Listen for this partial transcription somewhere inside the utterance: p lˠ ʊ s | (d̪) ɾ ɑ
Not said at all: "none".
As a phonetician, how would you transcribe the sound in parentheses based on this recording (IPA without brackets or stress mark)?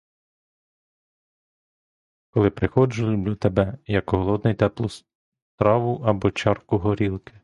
t̪